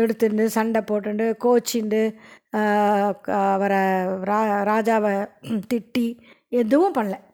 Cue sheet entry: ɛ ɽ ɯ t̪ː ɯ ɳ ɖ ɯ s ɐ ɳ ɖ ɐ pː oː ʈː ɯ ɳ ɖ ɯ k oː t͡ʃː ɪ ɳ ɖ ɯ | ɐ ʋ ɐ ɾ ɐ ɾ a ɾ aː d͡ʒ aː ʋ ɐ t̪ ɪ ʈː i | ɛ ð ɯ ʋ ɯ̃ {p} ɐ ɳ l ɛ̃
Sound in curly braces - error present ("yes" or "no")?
no